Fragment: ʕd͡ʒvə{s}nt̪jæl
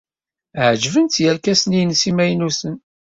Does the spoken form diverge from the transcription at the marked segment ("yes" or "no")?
yes